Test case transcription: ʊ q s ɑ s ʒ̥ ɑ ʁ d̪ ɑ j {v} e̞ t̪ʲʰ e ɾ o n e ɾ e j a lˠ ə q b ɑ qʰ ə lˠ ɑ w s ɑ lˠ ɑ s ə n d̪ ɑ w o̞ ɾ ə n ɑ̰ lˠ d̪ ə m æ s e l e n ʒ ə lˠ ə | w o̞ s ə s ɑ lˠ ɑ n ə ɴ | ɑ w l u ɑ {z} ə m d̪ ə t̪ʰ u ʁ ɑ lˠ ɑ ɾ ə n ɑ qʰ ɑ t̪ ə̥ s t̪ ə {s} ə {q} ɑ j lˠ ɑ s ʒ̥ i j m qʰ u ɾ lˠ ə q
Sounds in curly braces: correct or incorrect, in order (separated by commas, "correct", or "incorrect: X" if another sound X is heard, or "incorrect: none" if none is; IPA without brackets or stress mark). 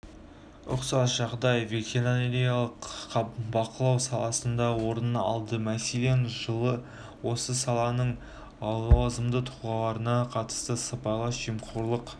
correct, correct, correct, incorrect: p